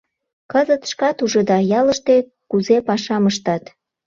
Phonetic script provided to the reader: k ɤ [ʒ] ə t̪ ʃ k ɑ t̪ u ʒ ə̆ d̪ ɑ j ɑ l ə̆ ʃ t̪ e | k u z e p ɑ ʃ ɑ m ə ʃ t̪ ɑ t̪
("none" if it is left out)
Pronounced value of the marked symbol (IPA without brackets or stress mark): z